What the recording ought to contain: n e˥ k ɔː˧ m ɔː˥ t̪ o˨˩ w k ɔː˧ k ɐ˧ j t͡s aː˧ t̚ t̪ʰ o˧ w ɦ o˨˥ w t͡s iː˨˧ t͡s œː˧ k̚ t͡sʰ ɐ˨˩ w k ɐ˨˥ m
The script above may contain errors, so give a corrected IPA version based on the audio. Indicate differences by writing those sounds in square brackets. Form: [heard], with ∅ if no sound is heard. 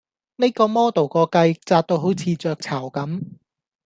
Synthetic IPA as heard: n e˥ k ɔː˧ m ɔː˥ t̪ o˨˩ w k ɔː˧ k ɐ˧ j t͡s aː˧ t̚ [t̪] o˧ w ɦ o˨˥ w [t͡sʰ] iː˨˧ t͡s œː˧ k̚ t͡sʰ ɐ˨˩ w k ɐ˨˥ m

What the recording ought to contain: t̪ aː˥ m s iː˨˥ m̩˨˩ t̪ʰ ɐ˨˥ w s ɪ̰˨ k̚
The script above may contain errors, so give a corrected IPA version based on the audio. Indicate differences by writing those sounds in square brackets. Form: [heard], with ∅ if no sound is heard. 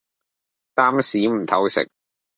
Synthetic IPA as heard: t̪ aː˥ m s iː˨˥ m̩˨˩ t̪ʰ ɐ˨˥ w s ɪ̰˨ k̚

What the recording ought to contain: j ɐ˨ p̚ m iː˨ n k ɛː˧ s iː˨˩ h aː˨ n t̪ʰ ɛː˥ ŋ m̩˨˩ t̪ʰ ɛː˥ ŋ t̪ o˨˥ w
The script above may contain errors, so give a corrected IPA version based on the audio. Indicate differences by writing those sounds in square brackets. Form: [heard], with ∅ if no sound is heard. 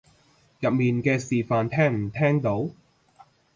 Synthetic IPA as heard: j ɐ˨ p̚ m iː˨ n k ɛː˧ s iː˨˩ [f] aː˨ n t̪ʰ ɛː˥ ŋ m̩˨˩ t̪ʰ ɛː˥ ŋ t̪ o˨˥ w

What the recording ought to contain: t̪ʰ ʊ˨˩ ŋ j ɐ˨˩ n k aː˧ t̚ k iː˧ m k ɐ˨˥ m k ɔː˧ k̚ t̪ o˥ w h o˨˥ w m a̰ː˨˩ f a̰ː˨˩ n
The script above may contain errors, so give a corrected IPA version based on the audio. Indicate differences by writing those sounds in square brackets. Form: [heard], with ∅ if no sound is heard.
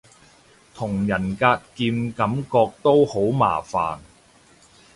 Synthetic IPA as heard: t̪ʰ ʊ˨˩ ŋ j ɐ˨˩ n k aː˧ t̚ k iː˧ m k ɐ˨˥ m k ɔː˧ k̚ t̪ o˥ w h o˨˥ w m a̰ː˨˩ f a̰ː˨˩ n

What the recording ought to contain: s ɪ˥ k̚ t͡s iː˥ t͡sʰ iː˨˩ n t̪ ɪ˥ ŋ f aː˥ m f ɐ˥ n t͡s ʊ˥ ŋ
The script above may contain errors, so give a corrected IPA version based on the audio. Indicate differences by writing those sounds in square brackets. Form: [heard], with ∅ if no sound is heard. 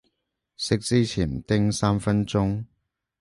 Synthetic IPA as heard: s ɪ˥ k̚ t͡s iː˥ t͡sʰ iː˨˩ n t̪ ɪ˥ ŋ [s] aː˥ m f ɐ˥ n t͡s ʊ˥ ŋ

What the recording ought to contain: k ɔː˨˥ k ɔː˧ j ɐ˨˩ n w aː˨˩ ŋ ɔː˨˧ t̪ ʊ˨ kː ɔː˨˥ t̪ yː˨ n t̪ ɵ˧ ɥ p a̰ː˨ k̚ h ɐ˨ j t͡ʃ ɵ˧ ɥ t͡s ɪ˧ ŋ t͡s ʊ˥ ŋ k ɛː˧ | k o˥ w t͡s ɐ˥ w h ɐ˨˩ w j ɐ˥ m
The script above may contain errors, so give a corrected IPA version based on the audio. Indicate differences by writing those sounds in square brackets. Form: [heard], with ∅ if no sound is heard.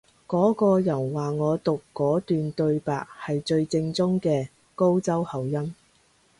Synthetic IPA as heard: k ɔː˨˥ k ɔː˧ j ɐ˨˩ n w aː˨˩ ŋ ɔː˨˧ t̪ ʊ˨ kː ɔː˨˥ t̪ yː˨ n t̪ ɵ˧ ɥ p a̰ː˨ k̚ h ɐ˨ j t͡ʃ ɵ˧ ɥ t͡s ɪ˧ ŋ t͡s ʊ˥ ŋ k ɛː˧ | k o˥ w t͡s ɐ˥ w h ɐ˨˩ w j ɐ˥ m

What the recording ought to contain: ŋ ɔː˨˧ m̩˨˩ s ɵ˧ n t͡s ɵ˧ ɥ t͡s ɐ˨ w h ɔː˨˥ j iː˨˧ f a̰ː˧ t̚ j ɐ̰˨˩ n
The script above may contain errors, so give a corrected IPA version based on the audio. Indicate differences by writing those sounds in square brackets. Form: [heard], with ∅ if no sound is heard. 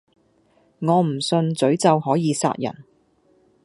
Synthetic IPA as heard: ŋ ɔː˨˧ m̩˨˩ s ɵ˧ n t͡s [ɵ˨˥] ɥ t͡s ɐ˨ w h ɔː˨˥ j iː˨˧ [s] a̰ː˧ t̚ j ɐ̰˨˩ n

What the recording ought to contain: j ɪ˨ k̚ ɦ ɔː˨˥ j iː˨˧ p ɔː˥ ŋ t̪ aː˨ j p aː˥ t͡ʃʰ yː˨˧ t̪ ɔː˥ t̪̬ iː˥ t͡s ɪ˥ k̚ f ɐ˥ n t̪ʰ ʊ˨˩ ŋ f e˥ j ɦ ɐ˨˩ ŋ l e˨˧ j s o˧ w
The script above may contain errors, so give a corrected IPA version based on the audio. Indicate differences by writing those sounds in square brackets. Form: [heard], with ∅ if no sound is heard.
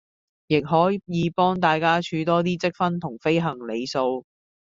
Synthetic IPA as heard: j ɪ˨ k̚ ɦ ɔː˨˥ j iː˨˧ p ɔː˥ ŋ t̪ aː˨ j [k] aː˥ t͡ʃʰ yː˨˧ t̪ ɔː˥ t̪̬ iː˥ t͡s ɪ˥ k̚ f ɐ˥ n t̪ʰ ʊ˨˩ ŋ f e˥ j ɦ ɐ˨˩ ŋ l e˨˧ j s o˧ w

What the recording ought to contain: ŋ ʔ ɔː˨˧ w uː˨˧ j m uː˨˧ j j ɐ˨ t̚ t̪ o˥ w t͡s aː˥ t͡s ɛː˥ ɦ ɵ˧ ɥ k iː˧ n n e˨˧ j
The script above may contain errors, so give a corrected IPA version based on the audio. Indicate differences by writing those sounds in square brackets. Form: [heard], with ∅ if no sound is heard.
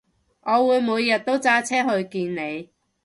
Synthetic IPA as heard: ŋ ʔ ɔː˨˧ w uː˨˧ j m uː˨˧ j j ɐ˨ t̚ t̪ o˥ w t͡s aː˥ [t͡sʰ] ɛː˥ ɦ ɵ˧ ɥ k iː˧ n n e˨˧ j

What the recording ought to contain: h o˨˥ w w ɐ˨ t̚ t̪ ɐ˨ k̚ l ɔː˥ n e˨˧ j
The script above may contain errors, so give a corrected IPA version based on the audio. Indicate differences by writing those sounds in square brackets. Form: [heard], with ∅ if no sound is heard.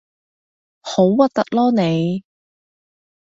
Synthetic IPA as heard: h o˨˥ w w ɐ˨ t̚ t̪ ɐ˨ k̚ l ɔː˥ n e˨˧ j

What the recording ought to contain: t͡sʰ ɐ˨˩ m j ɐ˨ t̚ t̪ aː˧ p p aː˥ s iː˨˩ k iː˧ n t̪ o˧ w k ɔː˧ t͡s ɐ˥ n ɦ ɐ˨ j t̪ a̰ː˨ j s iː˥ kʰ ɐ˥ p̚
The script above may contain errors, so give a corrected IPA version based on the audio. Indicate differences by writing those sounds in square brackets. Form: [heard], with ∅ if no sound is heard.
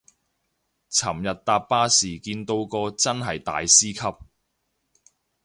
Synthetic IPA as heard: t͡sʰ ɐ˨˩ m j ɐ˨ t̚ t̪ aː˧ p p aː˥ s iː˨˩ k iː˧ n t̪ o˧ w k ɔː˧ t͡s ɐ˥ n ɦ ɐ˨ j t̪ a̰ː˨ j s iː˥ kʰ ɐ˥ p̚

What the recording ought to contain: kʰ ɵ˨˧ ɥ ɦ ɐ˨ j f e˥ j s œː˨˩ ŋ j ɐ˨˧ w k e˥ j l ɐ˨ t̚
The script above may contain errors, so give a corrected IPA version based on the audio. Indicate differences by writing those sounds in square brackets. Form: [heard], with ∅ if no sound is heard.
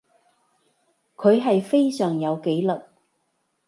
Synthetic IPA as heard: kʰ ɵ˨˧ ɥ ɦ ɐ˨ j f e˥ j s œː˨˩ ŋ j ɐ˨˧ w k [e˨˥] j l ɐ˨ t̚

